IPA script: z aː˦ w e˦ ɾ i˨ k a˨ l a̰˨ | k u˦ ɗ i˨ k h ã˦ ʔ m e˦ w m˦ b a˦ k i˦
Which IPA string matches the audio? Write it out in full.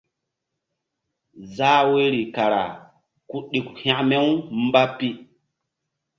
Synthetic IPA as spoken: z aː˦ w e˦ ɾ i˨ k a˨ ɾ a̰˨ | k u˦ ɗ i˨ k h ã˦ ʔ m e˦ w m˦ b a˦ p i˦